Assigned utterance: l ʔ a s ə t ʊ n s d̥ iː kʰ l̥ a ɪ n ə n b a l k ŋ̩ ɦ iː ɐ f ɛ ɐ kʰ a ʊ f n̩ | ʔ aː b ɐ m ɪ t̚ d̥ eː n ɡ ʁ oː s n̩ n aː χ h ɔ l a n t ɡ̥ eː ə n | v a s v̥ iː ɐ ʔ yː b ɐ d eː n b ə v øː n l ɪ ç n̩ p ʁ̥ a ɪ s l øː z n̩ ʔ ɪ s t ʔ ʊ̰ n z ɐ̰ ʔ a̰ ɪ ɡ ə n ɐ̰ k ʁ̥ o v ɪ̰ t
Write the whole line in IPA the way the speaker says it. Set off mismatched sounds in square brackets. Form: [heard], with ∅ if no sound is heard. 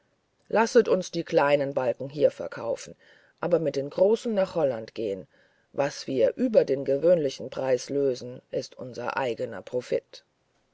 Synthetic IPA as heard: l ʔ a s ə t ʊ n s d̥ iː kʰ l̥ a ɪ n ə n b a l k ŋ̩ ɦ iː ɐ f ɛ ɐ kʰ a ʊ f n̩ | ʔ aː b ɐ m ɪ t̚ d̥ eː n ɡ ʁ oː s n̩ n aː χ h ɔ l a n t ɡ̥ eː ə n | v a s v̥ iː ɐ ʔ yː b ɐ d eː n [ɡ] ə v øː n l ɪ ç n̩ p ʁ̥ a ɪ s l øː z n̩ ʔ ɪ s t ʔ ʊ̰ n z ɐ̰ ʔ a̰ ɪ ɡ ə n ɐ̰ [p] ʁ̥ o [f] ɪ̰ t